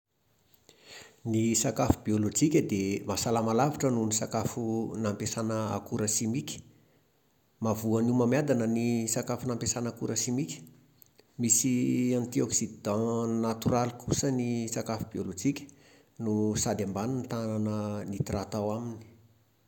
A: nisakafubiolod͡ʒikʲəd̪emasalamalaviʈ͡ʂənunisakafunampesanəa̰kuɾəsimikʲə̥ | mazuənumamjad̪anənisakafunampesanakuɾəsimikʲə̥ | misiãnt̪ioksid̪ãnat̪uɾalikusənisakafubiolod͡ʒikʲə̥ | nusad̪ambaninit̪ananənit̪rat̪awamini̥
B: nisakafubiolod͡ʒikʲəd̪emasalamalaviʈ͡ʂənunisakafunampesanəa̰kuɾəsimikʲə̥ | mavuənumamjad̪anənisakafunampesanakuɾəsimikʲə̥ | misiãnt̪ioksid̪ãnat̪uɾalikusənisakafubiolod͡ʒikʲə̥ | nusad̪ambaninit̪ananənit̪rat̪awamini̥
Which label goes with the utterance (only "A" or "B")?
B